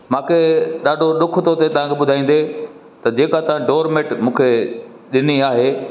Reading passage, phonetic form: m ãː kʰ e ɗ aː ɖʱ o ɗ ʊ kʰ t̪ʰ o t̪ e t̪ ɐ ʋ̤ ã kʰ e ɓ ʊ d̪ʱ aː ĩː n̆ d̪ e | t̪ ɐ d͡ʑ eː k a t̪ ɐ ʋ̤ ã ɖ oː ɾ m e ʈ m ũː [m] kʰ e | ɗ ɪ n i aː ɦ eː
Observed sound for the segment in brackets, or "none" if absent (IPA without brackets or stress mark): none